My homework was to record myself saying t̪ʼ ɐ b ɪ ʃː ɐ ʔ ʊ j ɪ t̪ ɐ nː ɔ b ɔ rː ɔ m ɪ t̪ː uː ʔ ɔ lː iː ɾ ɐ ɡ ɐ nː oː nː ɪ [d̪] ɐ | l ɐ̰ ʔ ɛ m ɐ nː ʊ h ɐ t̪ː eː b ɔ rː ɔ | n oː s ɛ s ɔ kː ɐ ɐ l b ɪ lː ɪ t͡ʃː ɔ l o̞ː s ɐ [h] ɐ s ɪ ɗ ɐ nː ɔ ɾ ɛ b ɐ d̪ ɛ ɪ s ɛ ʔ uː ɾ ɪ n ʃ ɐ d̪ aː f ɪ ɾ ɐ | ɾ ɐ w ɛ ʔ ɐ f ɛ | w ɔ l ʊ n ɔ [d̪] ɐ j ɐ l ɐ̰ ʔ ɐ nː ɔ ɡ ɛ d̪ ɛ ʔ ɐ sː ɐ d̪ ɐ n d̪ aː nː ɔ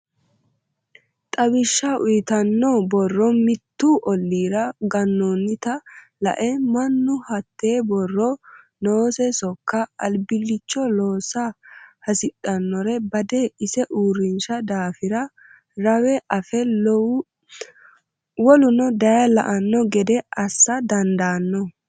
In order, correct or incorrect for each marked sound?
incorrect: t̪, correct, correct

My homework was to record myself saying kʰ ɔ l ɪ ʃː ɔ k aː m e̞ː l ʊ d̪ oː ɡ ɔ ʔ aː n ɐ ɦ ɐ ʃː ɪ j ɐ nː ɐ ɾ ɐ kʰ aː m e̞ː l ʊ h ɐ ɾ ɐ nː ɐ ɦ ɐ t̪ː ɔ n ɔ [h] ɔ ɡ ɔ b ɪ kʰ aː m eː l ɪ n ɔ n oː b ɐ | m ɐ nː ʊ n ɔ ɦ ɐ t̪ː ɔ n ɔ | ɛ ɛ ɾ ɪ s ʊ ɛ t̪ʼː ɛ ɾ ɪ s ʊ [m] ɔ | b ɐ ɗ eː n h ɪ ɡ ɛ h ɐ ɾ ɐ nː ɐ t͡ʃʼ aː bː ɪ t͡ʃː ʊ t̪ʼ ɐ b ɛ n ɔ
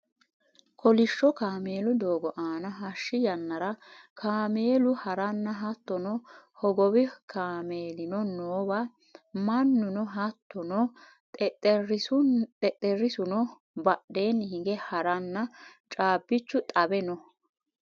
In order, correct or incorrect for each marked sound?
correct, incorrect: n

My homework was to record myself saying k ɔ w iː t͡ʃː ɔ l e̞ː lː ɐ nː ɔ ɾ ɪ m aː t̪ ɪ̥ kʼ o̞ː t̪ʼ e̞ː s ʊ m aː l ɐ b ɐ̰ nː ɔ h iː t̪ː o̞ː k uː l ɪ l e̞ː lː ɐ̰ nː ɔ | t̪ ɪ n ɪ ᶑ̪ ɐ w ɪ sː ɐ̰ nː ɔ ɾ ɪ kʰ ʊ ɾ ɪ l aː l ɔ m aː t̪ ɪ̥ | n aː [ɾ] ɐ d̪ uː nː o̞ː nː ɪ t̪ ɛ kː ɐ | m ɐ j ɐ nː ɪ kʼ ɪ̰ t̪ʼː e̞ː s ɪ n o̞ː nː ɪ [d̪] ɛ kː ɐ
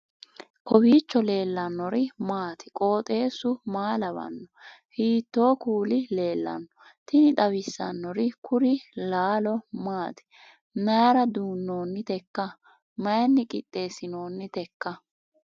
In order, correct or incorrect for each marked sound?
correct, incorrect: t̪

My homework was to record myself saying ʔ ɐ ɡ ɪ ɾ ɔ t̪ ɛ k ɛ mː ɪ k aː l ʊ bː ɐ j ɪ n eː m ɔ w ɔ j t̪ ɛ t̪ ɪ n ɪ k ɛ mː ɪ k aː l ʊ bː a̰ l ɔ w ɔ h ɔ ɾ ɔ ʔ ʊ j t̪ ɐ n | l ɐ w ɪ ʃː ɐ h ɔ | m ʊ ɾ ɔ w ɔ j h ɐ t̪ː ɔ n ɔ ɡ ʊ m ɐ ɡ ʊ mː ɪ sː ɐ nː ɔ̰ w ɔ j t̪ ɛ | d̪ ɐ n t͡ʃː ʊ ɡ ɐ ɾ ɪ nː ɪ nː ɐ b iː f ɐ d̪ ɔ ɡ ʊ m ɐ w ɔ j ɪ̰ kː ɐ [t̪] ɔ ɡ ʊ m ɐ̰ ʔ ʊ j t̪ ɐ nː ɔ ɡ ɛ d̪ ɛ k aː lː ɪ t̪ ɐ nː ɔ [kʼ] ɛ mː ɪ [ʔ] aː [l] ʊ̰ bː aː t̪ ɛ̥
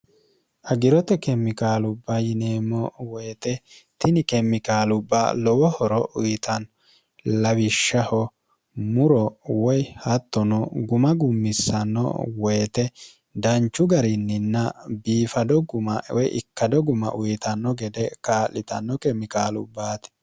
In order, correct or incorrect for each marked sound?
incorrect: d̪, incorrect: k, incorrect: k, correct

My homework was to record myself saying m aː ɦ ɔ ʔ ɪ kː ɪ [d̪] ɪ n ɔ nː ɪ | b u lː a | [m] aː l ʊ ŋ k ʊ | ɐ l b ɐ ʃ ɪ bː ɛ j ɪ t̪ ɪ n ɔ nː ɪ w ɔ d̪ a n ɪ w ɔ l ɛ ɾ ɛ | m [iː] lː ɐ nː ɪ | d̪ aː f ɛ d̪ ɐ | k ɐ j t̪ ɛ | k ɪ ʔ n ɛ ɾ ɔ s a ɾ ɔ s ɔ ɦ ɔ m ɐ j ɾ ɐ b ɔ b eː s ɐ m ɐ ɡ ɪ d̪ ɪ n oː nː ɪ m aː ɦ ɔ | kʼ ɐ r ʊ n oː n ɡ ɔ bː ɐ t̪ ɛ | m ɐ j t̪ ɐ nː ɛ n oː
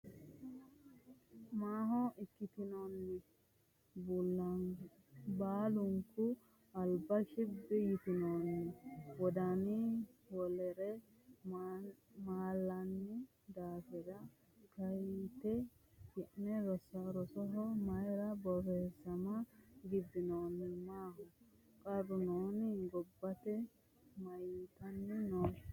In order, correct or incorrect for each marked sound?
incorrect: t̪, incorrect: b, incorrect: aː

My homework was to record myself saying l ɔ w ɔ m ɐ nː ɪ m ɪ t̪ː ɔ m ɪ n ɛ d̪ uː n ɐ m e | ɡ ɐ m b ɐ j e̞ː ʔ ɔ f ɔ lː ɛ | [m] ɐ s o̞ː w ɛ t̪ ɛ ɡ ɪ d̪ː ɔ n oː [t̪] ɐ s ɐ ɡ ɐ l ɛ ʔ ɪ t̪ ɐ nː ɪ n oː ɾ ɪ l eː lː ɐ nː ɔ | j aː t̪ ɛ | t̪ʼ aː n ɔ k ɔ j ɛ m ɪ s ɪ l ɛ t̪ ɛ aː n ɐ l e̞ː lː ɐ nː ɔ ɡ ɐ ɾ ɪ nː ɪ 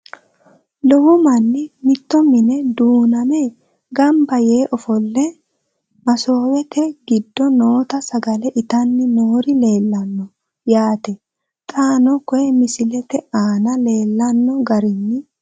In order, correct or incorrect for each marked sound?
correct, correct

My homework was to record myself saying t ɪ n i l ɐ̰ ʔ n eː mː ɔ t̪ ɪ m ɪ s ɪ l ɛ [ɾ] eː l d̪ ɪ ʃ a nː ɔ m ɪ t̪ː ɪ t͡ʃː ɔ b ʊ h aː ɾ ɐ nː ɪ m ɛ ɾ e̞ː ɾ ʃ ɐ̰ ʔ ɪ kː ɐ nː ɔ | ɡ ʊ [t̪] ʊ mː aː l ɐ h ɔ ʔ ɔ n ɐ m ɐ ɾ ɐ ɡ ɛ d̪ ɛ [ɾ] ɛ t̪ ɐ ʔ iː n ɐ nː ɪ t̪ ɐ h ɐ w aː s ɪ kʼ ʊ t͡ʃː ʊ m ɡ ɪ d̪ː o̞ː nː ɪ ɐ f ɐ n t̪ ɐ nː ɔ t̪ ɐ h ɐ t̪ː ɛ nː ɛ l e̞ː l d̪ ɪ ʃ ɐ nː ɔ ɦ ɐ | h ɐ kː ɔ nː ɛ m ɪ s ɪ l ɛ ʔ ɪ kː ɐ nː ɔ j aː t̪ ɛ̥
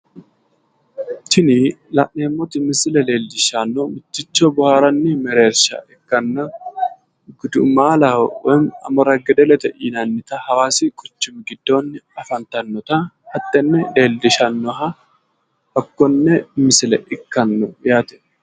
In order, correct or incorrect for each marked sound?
incorrect: l, incorrect: d̪, incorrect: l

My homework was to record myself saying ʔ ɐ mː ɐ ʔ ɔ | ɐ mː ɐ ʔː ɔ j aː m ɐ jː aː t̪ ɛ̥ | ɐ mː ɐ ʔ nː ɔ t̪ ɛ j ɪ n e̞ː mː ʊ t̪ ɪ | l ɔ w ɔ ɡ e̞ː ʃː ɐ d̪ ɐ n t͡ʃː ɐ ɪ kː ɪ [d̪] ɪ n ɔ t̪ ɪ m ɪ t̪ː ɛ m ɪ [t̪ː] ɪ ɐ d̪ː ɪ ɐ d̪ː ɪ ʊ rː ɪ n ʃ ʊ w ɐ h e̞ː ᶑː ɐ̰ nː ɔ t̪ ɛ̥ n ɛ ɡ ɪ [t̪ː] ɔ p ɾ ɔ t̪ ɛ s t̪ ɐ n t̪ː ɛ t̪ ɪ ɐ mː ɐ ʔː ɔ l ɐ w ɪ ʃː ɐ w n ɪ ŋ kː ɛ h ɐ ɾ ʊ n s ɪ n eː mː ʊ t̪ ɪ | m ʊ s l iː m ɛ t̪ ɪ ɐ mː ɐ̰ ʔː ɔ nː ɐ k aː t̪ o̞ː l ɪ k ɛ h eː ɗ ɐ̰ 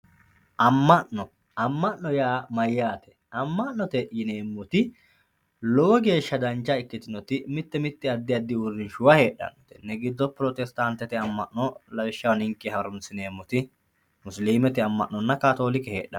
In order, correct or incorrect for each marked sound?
incorrect: t̪, correct, incorrect: d̪ː

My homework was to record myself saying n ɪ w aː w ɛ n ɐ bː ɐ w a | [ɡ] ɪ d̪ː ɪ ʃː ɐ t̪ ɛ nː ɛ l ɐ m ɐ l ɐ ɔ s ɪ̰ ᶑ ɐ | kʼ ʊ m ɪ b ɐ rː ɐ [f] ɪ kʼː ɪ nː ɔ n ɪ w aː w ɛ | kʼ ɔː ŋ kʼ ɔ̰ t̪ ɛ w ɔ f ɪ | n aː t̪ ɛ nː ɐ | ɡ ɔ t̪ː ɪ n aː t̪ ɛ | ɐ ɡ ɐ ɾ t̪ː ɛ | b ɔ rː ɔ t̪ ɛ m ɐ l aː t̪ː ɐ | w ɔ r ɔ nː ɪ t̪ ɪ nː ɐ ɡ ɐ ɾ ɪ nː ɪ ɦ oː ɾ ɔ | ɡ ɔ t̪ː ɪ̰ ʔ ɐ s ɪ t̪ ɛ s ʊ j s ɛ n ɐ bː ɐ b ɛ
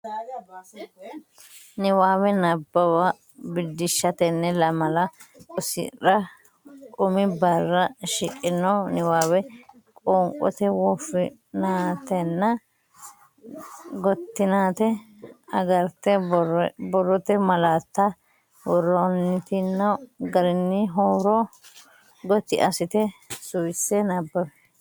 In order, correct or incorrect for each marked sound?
incorrect: b, incorrect: ʃ

